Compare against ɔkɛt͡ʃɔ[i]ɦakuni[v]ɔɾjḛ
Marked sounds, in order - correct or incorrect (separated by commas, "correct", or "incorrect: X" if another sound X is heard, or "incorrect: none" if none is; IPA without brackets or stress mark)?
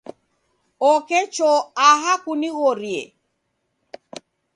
incorrect: a, incorrect: ɣ